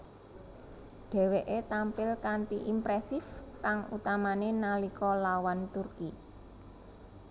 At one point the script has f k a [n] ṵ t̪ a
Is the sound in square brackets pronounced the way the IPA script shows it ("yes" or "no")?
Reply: no